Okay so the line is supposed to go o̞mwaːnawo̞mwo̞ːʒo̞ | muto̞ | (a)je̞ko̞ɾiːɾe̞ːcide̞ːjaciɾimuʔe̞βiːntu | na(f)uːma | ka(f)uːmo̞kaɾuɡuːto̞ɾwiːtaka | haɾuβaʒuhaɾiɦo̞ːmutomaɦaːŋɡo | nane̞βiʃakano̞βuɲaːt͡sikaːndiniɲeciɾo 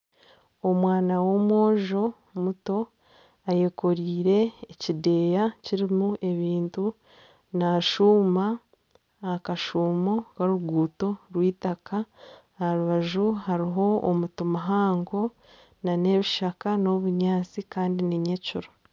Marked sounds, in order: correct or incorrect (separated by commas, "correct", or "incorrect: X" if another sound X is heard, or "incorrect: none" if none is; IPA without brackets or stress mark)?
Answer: correct, incorrect: ʃ, incorrect: ʃ